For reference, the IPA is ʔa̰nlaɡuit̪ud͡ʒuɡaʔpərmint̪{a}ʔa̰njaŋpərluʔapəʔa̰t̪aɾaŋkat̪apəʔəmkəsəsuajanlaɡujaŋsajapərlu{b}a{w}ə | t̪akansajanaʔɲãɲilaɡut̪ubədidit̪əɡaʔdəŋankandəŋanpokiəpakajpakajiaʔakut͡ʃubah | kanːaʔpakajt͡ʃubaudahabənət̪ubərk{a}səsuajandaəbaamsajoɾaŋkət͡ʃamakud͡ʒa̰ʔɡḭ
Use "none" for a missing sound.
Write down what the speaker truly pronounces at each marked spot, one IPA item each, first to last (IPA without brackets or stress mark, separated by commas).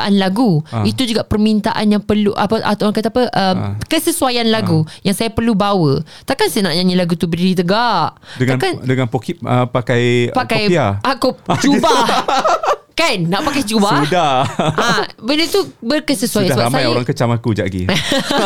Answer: a, b, w, ə